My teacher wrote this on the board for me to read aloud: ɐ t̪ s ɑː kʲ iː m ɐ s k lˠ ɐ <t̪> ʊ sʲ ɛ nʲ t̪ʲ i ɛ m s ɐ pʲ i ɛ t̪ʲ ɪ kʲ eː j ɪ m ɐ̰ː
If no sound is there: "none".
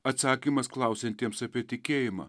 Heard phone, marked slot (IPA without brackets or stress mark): none